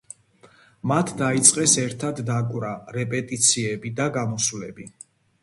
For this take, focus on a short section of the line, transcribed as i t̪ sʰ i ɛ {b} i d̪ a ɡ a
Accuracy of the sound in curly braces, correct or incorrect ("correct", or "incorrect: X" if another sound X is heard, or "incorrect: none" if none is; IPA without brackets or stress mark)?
correct